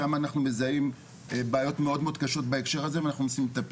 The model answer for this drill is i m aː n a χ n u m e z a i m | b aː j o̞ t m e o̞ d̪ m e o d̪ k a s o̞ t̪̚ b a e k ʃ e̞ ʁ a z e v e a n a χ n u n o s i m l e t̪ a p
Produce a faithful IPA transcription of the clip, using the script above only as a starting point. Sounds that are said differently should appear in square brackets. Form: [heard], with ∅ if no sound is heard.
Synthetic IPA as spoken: [a] m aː n a χ n u m e z a i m | b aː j o̞ t m e o̞ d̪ m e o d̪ k a [ʃ] o̞ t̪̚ b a e k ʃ e̞ ʁ a z e v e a n a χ n u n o s i m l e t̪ a p